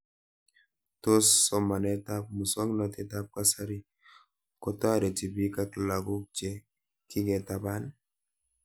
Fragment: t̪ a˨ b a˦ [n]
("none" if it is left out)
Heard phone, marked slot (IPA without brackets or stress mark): n